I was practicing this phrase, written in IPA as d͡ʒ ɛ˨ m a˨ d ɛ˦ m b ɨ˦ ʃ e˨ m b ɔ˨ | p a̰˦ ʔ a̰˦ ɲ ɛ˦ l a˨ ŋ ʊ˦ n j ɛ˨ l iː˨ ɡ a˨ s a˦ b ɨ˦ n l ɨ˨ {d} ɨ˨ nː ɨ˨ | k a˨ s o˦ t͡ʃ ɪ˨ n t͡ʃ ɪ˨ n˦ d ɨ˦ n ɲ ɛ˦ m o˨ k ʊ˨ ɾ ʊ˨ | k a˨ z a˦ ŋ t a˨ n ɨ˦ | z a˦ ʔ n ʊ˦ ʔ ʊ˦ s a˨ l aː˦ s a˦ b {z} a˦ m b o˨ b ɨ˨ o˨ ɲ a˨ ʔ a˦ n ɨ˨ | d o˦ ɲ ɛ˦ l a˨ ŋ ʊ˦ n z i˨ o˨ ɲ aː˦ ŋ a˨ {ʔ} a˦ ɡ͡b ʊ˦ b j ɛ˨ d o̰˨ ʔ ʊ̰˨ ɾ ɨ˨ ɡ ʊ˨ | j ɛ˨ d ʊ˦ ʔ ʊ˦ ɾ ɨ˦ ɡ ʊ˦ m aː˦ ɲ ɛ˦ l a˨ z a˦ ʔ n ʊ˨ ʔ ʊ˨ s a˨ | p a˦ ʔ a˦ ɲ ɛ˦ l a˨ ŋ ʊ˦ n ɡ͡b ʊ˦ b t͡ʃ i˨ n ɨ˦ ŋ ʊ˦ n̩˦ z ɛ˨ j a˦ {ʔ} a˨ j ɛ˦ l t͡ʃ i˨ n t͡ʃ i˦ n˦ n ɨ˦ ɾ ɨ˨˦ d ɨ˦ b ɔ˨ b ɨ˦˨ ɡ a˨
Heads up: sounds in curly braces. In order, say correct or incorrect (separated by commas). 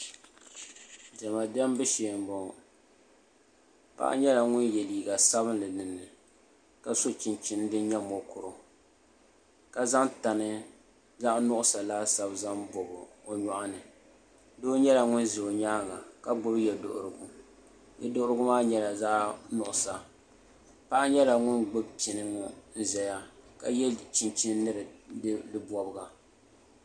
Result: incorrect, correct, incorrect, incorrect